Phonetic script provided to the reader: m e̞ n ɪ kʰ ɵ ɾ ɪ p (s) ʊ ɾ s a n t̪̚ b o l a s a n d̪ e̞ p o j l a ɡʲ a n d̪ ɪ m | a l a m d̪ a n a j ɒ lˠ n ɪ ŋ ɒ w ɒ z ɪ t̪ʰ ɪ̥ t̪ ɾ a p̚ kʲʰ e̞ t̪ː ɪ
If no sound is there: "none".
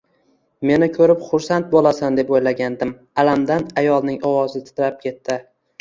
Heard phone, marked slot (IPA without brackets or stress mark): χ